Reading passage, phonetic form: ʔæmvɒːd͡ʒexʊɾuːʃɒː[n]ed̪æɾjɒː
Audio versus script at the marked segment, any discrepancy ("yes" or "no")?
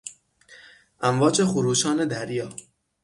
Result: no